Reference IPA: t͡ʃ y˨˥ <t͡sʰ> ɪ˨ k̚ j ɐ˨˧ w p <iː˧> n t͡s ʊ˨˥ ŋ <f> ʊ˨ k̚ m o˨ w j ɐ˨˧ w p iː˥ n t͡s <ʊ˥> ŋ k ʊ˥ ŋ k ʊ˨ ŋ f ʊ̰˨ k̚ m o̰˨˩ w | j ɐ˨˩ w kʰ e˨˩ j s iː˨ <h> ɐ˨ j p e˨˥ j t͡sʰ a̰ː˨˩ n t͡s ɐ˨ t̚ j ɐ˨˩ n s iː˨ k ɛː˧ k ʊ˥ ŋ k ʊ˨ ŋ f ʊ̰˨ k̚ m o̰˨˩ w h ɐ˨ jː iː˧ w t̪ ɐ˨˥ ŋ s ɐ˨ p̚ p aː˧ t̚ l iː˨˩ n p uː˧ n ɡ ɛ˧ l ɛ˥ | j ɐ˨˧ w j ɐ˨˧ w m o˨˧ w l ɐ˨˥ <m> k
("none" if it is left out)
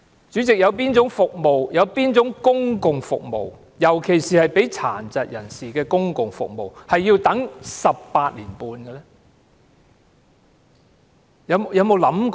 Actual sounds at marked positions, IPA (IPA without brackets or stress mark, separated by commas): t͡s, iː˥, f, ʊ˨˥, h, m